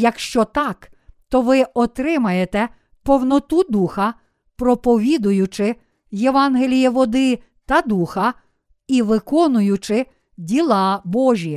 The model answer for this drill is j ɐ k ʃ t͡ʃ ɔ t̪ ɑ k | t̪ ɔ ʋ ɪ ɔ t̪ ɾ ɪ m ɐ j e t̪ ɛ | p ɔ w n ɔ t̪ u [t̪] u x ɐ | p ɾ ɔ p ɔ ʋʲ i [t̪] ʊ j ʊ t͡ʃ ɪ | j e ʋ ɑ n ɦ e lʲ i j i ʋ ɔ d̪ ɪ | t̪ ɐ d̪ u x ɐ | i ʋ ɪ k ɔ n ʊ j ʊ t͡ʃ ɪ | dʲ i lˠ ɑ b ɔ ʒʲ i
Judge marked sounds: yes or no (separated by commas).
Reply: no, no